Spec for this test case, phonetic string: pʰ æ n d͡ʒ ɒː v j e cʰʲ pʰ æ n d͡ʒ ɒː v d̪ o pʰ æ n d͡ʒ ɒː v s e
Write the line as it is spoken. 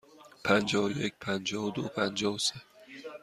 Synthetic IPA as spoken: pʰ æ n d͡ʒ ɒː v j e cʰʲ pʰ æ n d͡ʒ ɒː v d̪ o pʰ æ n d͡ʒ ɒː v s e